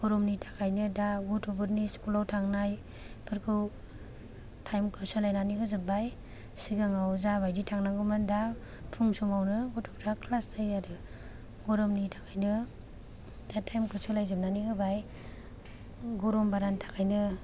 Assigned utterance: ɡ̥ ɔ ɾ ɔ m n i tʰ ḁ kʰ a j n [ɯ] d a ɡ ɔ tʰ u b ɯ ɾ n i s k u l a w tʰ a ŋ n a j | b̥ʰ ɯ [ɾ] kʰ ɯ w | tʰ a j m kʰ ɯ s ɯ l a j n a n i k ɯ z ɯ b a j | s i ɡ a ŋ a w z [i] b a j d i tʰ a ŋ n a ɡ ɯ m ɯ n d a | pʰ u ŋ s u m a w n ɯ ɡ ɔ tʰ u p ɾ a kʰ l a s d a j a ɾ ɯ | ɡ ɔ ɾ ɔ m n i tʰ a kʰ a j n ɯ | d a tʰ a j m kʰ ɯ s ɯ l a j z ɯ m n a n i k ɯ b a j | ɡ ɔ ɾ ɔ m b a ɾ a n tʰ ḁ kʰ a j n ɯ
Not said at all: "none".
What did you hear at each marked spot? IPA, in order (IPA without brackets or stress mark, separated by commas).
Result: ɯ, ɾ, a